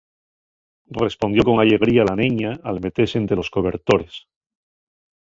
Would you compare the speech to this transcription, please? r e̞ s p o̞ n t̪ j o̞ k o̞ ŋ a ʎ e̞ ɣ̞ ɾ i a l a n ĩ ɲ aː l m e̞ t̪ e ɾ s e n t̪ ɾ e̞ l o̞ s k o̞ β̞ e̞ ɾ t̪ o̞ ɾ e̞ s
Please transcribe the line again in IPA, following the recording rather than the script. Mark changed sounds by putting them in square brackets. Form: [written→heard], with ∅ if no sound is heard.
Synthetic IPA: r e̞ s p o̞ n [t̪→d̪] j o̞ k o̞ ŋ a ʎ e̞ ɣ̞ ɾ i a l a n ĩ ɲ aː l m e̞ t̪ e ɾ s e n t̪ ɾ e̞ l o̞ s k o̞ β̞ e̞ ɾ t̪ o̞ ɾ e̞ s